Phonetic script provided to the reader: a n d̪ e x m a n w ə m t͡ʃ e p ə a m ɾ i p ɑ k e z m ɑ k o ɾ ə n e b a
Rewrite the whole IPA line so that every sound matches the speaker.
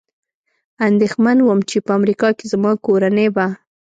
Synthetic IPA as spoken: a n d̪ e x m a n w ə m t͡ʃ e p ə a m ɾ i k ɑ k e z m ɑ k o ɾ a n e b a

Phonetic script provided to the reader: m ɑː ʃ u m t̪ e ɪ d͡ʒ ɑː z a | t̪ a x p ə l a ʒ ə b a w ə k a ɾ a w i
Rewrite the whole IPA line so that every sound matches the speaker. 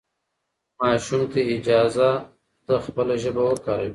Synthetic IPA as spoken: m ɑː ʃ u m t̪ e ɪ d͡ʒ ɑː z a | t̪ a x p ə l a ʒ ə b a w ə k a ɾ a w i

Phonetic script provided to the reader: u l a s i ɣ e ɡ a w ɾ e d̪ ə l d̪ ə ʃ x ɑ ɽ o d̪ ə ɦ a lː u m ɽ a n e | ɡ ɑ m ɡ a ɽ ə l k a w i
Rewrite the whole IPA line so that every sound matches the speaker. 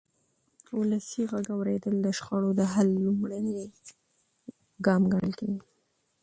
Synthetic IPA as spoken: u l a s i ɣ a ɡ a w ɾ e d̪ ə l d̪ ə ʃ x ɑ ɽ o d̪ ə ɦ a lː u m ɽ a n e | ɡ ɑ m ɡ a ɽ ə l k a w i

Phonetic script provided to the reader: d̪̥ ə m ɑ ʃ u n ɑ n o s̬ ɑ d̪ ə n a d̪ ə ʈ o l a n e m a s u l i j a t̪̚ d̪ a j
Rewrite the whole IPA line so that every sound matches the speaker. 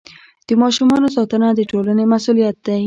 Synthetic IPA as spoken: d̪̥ ə m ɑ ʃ u m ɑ n o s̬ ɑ t̪ ə n a d̪ ə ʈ o l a n e m a s u l i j a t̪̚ d̪ a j

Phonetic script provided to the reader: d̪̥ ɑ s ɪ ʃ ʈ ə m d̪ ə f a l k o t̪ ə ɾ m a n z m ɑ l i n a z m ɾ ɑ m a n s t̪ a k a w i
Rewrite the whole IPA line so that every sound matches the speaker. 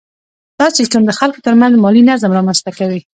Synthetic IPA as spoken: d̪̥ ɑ s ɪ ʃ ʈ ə m d̪ ə x a l k o t̪ ə ɾ m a n z m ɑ l i n a z m ɾ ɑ m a n s t̪ a k a w i

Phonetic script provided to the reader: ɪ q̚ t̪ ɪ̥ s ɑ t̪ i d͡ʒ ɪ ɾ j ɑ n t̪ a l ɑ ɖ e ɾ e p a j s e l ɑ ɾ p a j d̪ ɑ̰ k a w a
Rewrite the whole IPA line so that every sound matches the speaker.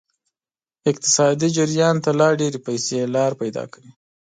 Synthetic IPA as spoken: ɪ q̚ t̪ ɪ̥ s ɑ d̪ i d͡ʒ ɪ ɾ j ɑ n t̪ a l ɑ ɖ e ɾ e p a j s e l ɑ ɾ p a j d̪ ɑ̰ k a w i

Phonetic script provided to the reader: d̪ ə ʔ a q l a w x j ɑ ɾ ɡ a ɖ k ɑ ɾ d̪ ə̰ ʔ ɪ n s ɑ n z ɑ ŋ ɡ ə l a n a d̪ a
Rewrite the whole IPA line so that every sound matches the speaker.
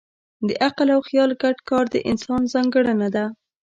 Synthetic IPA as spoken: d̪ ə ʔ a q l a w x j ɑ l ɡ a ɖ k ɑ ɾ d̪ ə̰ ʔ ɪ n s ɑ n z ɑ ŋ ɡ ə ɽ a n a d̪ a

